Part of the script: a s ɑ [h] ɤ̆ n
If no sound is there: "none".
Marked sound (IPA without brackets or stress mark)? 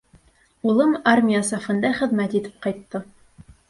f